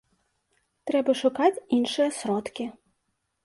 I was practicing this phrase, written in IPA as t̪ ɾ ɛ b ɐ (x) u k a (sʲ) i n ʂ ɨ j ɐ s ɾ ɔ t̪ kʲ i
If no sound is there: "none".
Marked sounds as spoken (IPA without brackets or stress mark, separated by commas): ʂ, t͡sʲ